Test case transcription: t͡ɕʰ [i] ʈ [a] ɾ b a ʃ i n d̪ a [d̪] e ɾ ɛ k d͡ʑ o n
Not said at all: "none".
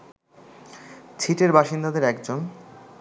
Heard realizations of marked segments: i, e, d̪

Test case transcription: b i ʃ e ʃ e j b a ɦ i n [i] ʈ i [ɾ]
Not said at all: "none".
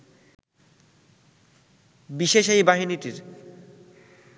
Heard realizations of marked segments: i, ɾ

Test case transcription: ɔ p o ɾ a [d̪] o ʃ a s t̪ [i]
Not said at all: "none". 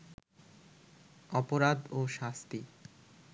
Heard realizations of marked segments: d̪, i

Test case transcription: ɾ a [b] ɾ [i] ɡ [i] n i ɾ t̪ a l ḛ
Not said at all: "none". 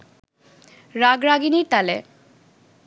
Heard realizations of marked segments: ɡ, a, i

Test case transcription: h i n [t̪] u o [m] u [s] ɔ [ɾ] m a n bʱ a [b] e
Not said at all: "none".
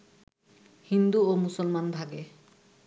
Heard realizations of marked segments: d̪, m, s, l, ɡ

